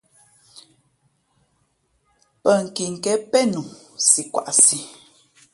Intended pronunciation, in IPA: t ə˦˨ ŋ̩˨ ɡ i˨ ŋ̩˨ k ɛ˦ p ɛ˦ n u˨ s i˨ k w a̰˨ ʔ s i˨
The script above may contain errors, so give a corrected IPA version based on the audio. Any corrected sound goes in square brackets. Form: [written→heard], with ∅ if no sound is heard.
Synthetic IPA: [t→p] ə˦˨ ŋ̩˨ [ɡ→k] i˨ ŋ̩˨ k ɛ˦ p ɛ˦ n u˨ s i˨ k w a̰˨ ʔ s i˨